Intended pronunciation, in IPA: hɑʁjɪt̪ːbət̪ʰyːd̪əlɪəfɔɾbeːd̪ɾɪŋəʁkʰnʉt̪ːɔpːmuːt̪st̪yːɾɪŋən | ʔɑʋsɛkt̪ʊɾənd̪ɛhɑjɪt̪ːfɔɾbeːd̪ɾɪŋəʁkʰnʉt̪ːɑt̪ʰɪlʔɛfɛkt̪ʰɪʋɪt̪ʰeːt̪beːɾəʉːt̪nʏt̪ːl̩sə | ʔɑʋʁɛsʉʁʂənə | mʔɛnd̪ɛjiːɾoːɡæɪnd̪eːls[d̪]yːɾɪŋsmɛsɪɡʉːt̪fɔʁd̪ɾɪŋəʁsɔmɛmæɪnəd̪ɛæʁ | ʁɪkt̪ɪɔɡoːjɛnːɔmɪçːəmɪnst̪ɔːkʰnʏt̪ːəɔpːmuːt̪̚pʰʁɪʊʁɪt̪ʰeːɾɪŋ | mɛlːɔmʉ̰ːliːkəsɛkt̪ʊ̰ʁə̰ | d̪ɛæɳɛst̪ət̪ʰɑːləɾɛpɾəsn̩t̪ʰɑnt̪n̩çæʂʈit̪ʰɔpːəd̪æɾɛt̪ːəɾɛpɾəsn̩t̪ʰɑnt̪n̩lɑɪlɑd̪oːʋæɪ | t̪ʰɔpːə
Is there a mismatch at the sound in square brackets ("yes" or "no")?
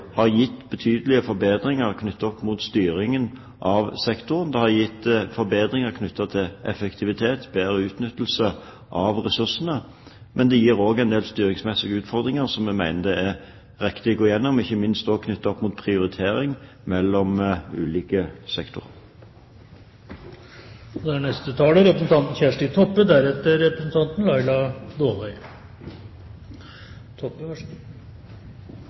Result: yes